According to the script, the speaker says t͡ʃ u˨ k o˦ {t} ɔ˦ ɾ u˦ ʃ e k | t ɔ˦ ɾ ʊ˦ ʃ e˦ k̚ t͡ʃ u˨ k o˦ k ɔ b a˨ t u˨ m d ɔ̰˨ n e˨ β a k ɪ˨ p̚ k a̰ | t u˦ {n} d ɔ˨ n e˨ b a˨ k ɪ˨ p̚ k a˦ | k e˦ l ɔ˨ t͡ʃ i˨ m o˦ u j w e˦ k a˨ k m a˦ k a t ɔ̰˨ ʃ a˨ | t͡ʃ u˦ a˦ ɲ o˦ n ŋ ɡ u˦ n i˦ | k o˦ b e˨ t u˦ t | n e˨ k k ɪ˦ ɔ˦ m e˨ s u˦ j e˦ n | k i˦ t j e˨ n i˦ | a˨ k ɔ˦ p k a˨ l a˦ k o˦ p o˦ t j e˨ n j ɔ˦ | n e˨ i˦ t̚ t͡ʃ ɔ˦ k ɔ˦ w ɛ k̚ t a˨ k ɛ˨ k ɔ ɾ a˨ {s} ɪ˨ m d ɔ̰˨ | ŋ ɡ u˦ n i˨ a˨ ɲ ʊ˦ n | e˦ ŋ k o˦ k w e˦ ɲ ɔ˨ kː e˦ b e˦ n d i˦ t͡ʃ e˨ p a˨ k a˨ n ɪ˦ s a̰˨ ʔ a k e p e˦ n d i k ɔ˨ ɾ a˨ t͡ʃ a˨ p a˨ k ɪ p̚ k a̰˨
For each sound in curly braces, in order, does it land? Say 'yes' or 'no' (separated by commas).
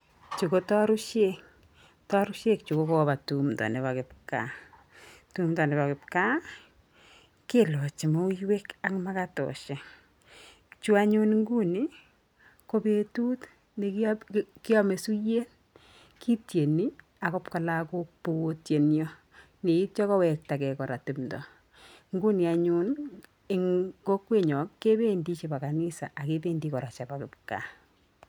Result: yes, no, no